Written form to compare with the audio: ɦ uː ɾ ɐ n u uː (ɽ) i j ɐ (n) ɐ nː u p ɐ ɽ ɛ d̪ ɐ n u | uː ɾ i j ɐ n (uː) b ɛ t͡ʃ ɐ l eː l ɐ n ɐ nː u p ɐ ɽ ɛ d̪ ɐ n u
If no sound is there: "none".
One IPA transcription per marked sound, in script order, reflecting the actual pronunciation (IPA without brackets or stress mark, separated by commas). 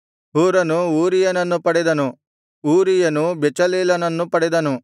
ɾ, n, u